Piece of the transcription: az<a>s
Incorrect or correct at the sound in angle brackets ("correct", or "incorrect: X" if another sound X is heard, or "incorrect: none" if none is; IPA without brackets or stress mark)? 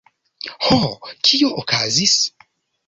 incorrect: i